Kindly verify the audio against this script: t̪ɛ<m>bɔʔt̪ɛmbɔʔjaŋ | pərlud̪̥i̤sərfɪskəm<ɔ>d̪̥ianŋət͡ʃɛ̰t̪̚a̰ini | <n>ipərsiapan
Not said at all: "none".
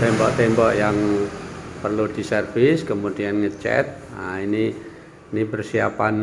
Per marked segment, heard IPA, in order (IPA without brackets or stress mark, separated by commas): m, u, n